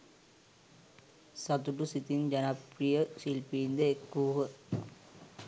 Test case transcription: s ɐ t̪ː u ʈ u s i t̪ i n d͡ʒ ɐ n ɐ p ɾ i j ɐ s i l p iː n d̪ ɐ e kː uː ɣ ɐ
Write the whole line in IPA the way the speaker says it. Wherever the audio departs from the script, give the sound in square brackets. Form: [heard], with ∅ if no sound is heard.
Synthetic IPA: s ɐ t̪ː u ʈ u s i t̪ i n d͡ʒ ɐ n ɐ p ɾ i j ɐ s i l p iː n d̪ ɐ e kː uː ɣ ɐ